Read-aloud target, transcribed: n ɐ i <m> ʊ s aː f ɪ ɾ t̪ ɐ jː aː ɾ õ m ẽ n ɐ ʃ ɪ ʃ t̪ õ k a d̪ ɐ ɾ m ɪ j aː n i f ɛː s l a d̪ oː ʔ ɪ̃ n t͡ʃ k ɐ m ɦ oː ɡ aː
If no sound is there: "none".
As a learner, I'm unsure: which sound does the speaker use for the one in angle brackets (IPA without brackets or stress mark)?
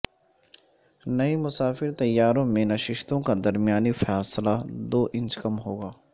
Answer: m